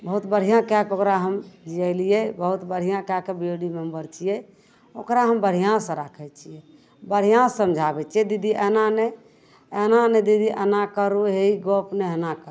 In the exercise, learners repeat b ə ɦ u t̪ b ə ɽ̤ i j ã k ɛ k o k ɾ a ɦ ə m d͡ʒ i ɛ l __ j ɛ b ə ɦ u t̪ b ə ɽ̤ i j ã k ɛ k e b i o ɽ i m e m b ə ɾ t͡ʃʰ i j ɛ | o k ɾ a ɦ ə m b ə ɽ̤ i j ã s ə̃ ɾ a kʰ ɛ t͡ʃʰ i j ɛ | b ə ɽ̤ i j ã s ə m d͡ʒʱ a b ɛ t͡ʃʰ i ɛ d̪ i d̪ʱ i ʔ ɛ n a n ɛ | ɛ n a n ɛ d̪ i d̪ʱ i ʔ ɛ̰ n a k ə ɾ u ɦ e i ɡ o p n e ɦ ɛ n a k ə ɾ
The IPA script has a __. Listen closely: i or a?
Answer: i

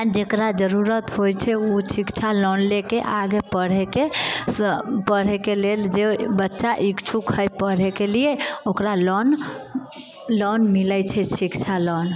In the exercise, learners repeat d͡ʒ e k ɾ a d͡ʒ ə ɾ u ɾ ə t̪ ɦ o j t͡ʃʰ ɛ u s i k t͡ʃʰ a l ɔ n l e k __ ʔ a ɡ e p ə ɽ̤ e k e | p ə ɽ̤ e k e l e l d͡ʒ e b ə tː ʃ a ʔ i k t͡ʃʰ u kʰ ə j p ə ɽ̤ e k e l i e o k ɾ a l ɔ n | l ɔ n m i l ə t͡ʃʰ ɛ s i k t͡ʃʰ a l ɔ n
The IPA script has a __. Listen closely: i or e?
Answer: e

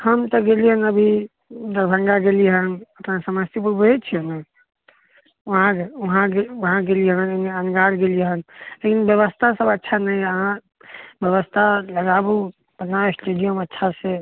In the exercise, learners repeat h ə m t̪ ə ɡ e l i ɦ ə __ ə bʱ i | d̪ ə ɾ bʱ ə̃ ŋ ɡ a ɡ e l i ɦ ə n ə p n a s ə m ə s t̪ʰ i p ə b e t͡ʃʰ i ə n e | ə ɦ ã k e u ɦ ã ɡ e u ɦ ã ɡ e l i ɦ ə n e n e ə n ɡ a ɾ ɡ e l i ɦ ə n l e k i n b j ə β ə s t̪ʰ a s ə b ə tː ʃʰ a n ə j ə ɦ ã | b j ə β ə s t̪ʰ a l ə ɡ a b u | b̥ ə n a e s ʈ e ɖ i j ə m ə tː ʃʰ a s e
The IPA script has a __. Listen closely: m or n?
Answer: n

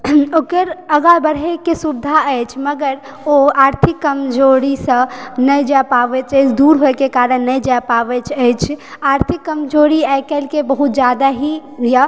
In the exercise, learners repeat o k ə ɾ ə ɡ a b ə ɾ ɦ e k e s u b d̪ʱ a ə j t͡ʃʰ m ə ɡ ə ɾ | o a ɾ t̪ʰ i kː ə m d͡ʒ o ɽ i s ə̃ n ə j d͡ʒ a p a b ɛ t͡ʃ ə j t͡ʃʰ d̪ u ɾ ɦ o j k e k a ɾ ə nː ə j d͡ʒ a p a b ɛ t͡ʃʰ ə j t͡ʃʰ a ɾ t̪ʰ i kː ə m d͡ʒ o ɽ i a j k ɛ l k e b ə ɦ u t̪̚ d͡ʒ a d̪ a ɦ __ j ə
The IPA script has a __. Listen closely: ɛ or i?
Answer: i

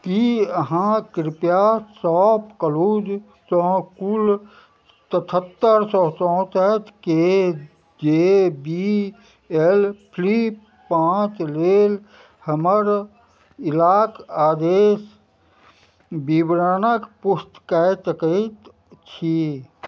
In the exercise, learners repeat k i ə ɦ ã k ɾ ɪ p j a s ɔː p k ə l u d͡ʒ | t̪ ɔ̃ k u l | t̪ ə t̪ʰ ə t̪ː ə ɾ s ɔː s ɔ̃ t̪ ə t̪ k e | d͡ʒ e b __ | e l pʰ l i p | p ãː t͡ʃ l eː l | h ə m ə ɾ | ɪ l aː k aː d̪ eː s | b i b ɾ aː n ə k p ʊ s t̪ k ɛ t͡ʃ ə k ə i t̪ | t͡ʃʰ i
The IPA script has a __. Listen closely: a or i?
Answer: i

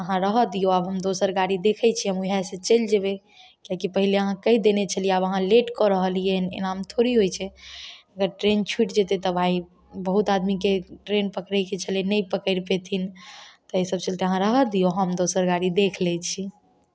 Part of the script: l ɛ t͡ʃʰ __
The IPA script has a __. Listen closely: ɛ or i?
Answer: i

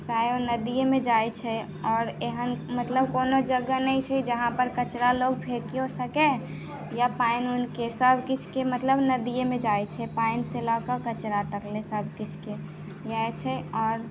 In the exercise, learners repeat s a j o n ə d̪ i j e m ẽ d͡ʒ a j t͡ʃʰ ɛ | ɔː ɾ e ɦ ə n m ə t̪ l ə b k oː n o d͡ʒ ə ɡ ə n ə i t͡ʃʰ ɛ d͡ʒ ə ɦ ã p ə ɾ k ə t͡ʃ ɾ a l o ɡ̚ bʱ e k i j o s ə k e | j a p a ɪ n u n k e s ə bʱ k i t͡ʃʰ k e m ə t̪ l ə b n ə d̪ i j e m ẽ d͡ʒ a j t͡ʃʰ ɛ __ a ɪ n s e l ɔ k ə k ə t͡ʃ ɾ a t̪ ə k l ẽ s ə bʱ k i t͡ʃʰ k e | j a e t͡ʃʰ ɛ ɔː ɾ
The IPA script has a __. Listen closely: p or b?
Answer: p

